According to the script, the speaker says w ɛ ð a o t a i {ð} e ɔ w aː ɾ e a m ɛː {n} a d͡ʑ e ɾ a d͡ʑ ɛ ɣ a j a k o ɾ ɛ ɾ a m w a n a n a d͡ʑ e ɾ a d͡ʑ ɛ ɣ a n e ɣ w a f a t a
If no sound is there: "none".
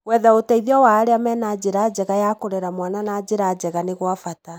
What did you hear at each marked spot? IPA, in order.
ð, n

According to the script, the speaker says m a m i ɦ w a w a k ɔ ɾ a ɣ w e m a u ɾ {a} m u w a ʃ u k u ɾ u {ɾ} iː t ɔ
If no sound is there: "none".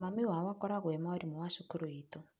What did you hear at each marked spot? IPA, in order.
i, none

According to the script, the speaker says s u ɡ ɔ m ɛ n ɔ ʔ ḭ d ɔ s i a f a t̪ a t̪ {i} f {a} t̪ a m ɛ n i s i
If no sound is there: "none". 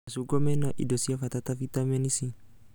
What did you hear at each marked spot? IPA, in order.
a, i

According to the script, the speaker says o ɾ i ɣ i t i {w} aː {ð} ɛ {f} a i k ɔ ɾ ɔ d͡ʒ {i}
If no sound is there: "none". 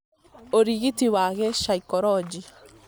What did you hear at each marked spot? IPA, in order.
w, ɣ, ʃ, i

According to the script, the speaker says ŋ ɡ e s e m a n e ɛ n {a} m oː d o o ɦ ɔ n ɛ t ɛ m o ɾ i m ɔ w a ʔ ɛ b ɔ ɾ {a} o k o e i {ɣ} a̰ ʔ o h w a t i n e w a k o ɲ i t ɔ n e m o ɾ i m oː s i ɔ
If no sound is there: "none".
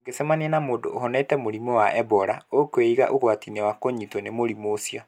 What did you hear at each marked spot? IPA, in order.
a, a, ɣ

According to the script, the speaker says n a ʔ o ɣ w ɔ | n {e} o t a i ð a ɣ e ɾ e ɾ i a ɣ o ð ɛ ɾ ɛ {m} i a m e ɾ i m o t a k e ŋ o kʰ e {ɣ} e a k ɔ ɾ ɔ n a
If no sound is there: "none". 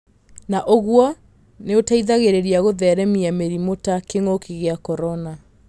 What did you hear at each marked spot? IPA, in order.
e, m, ɣ

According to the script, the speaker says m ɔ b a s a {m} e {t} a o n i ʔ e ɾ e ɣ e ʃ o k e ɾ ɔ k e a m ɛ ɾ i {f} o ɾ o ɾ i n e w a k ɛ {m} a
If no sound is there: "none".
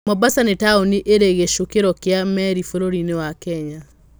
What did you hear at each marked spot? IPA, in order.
n, t, f, ɲ

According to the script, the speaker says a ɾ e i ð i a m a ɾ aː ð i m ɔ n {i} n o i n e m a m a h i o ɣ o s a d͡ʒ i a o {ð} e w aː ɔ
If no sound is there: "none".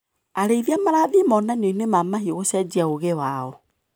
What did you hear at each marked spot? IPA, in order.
a, ɣ

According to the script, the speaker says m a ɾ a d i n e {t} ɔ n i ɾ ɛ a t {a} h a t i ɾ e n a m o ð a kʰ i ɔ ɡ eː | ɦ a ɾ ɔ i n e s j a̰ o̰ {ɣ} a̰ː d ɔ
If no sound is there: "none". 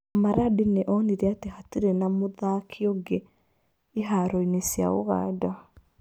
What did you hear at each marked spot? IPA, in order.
ʔ, e, ɣ

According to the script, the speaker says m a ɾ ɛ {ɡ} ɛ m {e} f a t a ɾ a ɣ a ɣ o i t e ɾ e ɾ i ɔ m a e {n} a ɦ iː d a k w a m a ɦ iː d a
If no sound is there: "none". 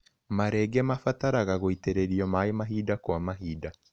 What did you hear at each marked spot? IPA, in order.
ɡ, a, m

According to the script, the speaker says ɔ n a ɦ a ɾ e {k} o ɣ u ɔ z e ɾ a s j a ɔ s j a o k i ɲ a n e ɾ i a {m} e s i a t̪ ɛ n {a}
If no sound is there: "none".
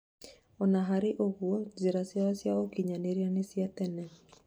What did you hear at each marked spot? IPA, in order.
ʔ, n, ɛ

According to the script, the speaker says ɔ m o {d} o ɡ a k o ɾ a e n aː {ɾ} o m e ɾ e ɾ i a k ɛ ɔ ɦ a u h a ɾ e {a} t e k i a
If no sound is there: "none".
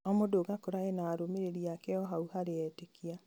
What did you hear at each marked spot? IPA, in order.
d, ɾ, ɛ

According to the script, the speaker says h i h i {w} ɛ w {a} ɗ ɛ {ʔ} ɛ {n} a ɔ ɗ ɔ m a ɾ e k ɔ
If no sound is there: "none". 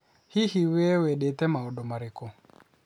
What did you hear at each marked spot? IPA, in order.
w, ɛ, t, m

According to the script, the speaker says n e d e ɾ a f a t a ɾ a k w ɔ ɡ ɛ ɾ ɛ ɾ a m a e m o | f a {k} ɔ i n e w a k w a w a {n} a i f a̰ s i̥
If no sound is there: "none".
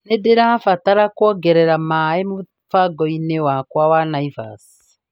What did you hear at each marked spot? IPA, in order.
ɡ, n

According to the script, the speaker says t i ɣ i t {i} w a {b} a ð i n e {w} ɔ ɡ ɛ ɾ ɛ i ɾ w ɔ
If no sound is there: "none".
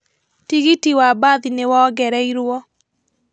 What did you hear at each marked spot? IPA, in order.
i, b, w

